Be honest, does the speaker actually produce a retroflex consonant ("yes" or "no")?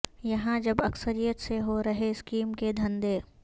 no